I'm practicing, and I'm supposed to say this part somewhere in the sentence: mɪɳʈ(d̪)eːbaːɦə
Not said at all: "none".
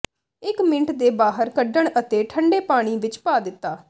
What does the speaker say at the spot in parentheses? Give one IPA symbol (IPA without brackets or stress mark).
d̪